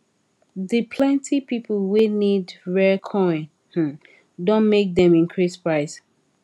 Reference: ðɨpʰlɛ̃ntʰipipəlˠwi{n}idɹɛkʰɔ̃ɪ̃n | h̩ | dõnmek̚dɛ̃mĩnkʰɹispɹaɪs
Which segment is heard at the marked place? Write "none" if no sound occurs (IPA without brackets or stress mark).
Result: n